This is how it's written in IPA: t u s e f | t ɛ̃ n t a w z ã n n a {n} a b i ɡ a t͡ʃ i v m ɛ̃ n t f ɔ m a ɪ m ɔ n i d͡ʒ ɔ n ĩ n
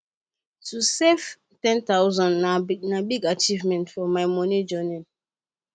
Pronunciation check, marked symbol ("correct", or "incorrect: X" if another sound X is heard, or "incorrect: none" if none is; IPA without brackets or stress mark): correct